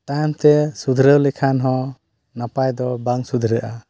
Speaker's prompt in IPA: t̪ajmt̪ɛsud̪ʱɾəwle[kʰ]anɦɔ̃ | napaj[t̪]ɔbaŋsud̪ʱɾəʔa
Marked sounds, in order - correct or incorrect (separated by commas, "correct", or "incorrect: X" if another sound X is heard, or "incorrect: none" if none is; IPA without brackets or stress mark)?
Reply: correct, incorrect: d̪